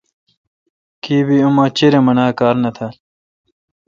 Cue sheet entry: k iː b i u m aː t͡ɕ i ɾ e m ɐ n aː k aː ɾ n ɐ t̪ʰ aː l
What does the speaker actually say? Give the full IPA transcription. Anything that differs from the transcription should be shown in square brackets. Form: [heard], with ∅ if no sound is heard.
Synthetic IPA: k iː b i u m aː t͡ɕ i ɾ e m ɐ n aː k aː ɾ n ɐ t̪ʰ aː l